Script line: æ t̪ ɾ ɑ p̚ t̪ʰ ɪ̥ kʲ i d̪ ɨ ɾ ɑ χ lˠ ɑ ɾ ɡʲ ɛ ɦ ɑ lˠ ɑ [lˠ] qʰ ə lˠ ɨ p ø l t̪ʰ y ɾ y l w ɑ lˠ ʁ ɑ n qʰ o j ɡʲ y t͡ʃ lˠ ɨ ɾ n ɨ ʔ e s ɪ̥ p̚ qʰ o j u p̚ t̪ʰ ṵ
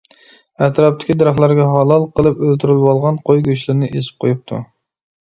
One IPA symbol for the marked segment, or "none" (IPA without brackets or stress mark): lˠ